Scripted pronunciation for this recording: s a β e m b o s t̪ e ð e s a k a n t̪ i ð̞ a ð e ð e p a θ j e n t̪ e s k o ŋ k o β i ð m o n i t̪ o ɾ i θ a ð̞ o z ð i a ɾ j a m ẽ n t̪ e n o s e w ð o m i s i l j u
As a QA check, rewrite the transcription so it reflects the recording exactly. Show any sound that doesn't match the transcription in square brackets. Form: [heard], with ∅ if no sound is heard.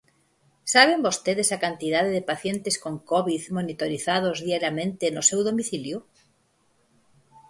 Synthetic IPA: s a β e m b o s t̪ e ð e s a k a n t̪ i ð̞ a ð e ð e p a θ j e n t̪ e s k o ŋ k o β i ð m o n i t̪ o ɾ i θ a ð̞ o z ð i a ɾ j a m ẽ n t̪ e n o s e w ð o m i [θ] i l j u